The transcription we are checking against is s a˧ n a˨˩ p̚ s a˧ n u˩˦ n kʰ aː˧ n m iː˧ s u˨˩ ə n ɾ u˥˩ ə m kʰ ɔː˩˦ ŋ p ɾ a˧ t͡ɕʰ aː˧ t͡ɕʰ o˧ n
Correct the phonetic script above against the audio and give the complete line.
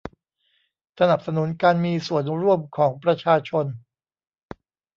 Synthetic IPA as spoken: s a˧ n a˨˩ p̚ s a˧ n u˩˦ n k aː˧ n m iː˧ s u˨˩ ə n ɾ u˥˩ ə m kʰ ɔː˩˦ ŋ p ɾ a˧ t͡ɕʰ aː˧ t͡ɕʰ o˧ n